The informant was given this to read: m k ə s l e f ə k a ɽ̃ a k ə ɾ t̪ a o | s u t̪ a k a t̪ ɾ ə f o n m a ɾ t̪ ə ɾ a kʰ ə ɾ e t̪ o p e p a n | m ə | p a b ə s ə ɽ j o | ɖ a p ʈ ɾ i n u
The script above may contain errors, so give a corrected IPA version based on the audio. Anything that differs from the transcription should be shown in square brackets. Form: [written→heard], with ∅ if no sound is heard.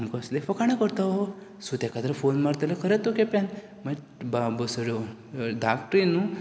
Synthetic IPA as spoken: m k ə s l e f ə k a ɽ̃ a k ə ɾ t̪ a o | s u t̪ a k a t̪ ɾ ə f o n m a ɾ t̪ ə [ɾ→l] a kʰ ə ɾ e t̪ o [p→k] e p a n | m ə | [p→b] a b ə s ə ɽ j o | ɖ a [p→k] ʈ ɾ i n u